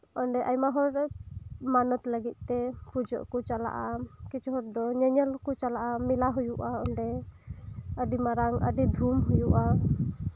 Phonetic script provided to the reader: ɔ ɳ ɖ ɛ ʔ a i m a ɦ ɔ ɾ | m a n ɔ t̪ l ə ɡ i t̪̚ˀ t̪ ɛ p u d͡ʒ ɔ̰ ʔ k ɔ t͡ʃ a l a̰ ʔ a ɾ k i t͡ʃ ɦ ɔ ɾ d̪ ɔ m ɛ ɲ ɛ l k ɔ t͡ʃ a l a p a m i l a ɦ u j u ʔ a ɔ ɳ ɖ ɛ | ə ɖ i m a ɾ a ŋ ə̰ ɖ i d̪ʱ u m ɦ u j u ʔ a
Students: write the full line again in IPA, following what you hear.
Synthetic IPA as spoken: ɔ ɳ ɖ ɛ ʔ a j m a ɦ ɔ ɾ | m a n ɔ t̪ l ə ɡ i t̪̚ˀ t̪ ɛ p u d͡ʒ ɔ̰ ʔ k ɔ t͡ʃ a l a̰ ʔ a k i t͡ʃ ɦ ɔ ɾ d̪ ɔ ɲ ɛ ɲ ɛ l k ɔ t͡ʃ a l a ʔ a m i l a ɦ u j u ʔ a ɔ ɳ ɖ ɛ | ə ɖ i m a ɾ a ŋ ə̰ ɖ i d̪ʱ u m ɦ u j u ʔ a